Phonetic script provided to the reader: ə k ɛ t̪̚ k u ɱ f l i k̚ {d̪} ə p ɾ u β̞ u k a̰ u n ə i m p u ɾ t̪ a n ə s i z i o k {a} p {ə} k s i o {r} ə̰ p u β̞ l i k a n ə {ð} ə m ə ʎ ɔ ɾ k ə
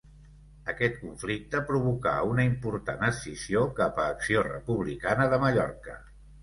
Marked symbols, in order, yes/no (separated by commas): no, yes, no, yes, yes